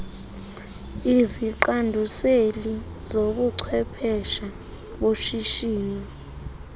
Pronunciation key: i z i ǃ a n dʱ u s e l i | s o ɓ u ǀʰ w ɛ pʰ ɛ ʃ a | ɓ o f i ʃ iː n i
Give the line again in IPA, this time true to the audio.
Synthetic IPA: i z i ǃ a n dʱ u s e l i | z o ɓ u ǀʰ w ɛ pʰ ɛ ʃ a | ɓ o ʃ i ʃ iː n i